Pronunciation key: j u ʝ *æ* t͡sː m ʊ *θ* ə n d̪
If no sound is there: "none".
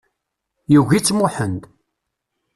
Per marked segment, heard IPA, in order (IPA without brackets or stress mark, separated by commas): i, ħ